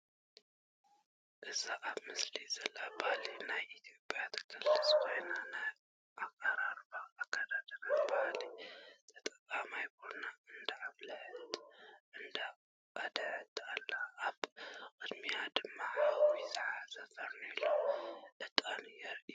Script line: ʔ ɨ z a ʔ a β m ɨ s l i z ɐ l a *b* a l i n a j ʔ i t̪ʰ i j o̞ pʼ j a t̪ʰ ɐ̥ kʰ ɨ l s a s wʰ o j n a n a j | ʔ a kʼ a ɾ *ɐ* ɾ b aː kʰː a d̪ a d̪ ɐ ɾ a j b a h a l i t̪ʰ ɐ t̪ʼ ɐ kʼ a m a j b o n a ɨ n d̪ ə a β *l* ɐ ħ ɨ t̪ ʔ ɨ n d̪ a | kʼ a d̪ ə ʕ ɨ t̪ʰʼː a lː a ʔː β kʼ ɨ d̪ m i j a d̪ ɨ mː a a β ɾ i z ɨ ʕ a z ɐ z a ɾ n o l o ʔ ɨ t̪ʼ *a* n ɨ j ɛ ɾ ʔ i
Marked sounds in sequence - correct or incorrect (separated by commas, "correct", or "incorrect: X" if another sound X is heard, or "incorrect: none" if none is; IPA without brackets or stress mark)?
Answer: correct, incorrect: a, correct, correct